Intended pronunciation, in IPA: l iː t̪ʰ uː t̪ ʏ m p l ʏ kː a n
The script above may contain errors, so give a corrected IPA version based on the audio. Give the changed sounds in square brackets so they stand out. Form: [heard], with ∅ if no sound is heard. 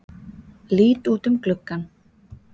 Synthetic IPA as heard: l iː [t̪] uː t̪ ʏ m [k] l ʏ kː a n